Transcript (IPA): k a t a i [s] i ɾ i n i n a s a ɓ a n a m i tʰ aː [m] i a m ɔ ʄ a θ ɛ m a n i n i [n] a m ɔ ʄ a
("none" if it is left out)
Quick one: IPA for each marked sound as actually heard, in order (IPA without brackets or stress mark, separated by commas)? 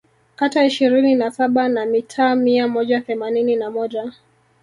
ʃ, m, n